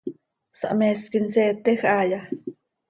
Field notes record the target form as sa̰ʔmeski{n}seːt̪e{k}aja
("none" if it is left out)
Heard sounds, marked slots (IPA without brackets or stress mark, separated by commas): n, x